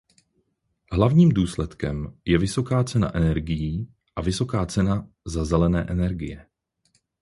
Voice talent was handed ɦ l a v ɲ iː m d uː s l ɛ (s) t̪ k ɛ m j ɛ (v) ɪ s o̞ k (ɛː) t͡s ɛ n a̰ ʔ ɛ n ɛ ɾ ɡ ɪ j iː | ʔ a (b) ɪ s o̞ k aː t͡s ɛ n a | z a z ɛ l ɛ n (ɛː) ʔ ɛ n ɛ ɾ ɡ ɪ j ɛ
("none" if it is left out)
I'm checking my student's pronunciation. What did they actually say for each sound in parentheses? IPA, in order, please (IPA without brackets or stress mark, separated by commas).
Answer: none, v, aː, v, ɛː